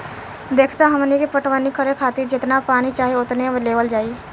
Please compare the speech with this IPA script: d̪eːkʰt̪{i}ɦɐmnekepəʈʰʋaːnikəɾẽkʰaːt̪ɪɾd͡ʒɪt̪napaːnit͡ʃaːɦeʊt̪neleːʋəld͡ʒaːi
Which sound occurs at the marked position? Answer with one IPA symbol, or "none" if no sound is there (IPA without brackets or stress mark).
a